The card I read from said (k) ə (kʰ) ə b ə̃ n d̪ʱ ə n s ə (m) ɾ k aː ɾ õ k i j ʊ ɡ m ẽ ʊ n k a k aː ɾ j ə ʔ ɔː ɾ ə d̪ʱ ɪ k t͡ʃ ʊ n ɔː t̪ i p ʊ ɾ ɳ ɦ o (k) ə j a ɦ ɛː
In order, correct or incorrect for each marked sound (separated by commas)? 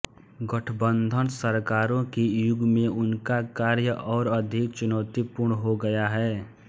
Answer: incorrect, incorrect, incorrect, incorrect